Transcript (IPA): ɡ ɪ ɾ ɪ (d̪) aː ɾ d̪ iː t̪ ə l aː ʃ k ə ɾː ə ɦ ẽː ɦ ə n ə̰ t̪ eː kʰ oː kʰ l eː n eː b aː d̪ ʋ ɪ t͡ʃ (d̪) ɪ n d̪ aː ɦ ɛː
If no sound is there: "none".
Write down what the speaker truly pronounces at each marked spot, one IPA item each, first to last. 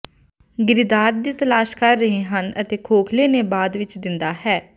d̪, d̪

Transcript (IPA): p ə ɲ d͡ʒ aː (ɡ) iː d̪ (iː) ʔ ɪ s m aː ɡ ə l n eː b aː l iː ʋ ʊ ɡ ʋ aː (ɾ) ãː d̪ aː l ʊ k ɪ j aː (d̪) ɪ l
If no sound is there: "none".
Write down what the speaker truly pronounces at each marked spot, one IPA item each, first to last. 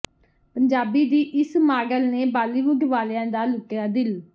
b, iː, l, d̪

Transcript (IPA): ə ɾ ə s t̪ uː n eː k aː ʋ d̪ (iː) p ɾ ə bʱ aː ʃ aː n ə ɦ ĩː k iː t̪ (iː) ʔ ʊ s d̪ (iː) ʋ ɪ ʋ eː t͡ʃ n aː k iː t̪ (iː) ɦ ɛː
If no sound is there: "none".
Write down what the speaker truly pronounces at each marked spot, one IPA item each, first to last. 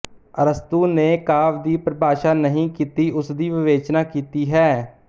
iː, iː, iː, iː

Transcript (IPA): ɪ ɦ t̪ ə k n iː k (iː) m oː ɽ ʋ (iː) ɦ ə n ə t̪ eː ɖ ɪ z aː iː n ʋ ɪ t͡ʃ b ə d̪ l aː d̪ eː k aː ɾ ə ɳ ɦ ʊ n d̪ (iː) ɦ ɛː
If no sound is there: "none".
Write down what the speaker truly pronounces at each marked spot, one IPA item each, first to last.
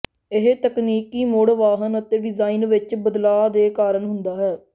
iː, aː, aː

